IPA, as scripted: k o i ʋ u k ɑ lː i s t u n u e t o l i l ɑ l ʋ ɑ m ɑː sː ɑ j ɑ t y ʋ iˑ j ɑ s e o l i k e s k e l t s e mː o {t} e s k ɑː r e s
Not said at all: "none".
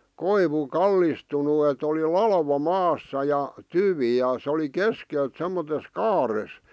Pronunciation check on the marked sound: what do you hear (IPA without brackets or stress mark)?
t